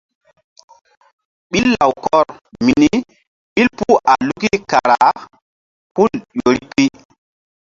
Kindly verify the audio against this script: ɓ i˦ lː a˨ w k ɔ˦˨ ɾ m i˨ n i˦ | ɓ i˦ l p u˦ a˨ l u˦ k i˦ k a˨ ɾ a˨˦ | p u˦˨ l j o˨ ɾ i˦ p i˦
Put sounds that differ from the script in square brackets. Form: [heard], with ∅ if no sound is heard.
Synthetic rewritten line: ɓ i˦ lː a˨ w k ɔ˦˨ ɾ m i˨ n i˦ | ɓ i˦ l p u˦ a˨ l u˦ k i˦ k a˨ ɾ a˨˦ | p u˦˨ l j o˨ ɾ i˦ p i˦